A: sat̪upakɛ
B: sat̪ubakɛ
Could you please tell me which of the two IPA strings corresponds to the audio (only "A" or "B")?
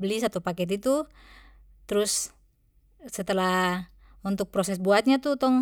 A